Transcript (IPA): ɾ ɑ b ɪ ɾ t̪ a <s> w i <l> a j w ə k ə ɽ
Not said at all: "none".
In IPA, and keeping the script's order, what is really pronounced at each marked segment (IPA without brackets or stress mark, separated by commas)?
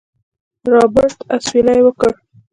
s, l